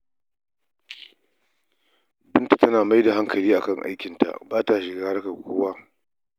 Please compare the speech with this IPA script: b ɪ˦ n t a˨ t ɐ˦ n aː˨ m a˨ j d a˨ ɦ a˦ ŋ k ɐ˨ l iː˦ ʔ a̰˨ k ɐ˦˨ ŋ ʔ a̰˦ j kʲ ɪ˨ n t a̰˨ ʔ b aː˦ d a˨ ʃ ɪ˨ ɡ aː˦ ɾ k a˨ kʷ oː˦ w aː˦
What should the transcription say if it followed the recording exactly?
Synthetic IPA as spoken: b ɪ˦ n t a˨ t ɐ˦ n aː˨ m a˦ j d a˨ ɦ a˦ ŋ k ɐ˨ l iː˦ ʔ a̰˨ k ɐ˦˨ ŋ ʔ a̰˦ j kʲ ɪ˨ n t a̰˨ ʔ b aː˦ t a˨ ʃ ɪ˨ ɡ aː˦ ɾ k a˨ kʷ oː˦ w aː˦